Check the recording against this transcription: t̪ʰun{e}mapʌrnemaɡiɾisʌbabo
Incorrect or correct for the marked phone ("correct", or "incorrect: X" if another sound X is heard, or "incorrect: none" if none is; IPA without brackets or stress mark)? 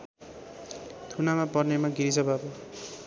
incorrect: a